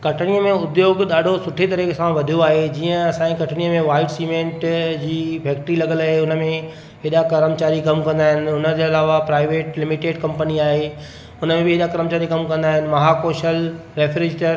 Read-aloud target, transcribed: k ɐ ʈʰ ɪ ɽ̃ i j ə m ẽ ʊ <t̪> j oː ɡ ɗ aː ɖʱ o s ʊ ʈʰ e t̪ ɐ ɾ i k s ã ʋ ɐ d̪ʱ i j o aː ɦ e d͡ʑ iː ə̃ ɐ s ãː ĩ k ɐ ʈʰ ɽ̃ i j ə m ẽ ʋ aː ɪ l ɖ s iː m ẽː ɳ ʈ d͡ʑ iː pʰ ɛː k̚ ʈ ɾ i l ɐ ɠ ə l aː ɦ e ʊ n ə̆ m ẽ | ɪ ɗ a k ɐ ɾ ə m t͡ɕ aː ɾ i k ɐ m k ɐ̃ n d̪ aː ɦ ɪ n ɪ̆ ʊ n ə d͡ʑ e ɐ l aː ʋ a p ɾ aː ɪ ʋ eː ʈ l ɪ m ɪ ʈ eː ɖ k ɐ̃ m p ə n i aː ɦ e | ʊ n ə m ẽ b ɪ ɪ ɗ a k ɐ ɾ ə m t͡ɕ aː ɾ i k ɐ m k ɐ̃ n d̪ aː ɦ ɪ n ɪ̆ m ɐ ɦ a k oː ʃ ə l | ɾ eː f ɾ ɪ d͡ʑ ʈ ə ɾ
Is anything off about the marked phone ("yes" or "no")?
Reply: yes